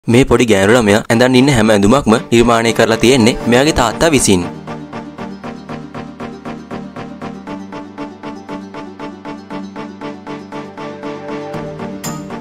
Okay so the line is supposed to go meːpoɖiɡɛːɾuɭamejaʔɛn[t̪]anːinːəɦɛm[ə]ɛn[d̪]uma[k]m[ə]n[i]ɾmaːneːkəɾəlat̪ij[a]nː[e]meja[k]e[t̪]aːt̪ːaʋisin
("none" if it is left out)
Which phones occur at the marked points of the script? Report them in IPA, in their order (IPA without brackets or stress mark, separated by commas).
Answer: d̪, ə, d̪, k, ə, i, e, e, ɡ, t̪